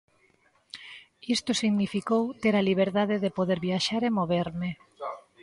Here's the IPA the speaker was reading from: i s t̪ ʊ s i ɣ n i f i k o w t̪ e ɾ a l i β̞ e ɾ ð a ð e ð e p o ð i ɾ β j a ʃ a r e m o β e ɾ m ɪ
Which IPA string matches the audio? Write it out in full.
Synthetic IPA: i s t̪ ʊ s i ɣ n i f i k o w t̪ e ɾ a l i β̞ e ɾ ð a ð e ð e p o ð e ɾ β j a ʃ a ɾ e m o β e ɾ m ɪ